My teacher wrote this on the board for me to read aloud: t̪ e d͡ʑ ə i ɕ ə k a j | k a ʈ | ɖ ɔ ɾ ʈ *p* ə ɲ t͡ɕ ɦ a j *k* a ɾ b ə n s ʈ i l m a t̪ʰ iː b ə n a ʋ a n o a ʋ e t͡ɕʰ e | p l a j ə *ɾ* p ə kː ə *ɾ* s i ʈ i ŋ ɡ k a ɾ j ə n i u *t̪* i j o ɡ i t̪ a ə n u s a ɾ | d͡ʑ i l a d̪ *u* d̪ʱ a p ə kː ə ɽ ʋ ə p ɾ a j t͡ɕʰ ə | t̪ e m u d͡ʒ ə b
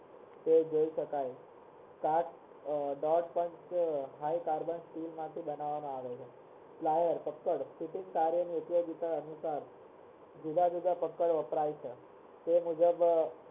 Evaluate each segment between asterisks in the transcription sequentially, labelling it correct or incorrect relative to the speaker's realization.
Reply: correct, correct, correct, incorrect, correct, correct

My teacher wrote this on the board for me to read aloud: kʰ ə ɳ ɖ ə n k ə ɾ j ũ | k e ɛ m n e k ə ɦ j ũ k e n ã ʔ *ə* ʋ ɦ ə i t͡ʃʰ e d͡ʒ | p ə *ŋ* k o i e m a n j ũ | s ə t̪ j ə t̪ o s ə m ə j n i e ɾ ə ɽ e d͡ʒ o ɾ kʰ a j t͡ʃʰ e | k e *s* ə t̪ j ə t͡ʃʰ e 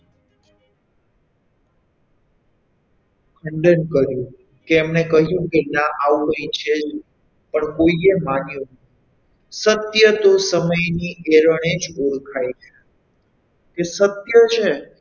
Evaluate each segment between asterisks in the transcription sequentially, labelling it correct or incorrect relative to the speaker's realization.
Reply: incorrect, incorrect, correct

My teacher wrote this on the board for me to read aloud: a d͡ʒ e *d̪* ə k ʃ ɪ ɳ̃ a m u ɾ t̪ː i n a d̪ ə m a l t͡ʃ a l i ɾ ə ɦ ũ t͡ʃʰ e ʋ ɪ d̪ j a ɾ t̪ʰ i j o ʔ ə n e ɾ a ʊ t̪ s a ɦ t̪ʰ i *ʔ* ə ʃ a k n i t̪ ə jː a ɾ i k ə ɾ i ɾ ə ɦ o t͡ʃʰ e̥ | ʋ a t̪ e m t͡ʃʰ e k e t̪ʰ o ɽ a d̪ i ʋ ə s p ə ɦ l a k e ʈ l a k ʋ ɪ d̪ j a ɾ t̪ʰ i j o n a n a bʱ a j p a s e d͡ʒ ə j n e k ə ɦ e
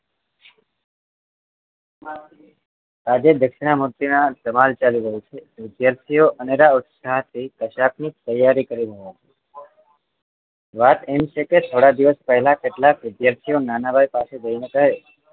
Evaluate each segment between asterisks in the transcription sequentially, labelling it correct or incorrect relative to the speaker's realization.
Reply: correct, incorrect

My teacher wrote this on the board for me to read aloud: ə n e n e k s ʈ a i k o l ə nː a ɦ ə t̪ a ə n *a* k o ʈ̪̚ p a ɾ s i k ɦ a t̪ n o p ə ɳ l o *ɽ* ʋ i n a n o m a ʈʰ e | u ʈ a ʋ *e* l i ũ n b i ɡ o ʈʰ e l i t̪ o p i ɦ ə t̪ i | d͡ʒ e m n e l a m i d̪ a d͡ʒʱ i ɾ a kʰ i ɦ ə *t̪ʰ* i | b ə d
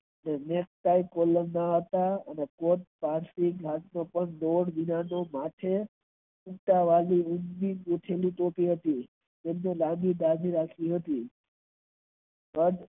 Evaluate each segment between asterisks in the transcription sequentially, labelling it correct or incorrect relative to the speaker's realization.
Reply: incorrect, correct, incorrect, incorrect

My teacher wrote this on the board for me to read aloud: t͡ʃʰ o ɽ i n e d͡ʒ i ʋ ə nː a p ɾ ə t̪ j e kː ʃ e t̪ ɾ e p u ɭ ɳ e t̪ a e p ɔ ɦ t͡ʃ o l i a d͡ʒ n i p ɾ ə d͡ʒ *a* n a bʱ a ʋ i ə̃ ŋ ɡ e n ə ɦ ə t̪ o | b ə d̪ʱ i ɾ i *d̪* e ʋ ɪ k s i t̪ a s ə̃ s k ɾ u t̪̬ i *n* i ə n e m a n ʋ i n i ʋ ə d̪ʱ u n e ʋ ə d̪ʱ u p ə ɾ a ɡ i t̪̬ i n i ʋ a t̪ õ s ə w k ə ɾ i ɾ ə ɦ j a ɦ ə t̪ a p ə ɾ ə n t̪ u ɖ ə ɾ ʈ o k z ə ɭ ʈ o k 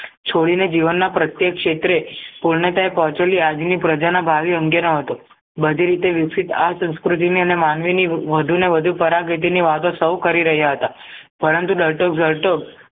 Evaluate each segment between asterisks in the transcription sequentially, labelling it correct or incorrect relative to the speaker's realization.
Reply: correct, incorrect, correct

